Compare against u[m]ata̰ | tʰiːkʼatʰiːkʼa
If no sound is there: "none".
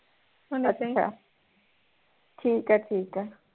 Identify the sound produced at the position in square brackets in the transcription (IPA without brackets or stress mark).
n